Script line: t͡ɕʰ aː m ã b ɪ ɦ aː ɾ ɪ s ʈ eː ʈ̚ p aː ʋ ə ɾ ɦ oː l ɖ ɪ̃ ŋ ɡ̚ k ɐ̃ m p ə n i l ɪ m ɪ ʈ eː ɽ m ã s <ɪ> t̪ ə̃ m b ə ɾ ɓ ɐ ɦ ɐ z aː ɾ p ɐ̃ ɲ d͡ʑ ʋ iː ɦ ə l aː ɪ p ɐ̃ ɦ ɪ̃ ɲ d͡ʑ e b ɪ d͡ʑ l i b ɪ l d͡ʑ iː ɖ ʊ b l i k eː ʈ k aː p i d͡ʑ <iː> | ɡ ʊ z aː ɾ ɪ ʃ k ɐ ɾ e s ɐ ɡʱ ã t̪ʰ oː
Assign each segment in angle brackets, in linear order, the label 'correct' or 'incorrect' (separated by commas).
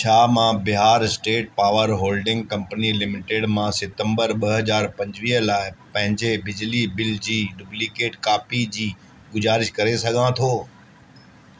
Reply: correct, correct